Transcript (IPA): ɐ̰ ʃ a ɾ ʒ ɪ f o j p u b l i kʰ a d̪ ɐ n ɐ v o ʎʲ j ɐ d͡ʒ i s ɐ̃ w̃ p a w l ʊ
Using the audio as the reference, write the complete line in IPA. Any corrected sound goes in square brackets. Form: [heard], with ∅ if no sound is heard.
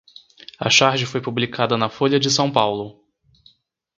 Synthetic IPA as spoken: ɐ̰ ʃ a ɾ ʒ ɪ f o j p u b l i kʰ a d̪ ɐ n ɐ [f] o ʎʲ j ɐ d͡ʒ [ɪ] s ɐ̃ w̃ p a w l ʊ